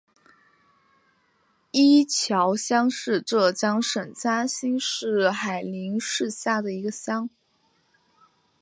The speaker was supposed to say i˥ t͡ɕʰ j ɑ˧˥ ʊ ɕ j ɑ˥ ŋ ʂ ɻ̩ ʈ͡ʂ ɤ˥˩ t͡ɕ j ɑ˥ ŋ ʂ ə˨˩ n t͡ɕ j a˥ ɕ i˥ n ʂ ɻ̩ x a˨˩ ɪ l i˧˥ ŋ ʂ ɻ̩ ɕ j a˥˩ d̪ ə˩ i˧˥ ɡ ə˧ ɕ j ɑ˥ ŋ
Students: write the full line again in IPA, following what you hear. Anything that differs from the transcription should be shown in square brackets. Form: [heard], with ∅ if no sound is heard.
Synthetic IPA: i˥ t͡ɕʰ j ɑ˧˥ ʊ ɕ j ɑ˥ ŋ ʂ ɻ̩ ʈ͡ʂ ɤ˥˩ t͡ɕ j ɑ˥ ŋ ʂ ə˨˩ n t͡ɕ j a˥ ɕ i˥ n ʂ ɻ̩ x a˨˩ ɪ l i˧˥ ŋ ʂ ɻ̩ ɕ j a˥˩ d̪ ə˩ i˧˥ ɡ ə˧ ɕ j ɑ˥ ŋ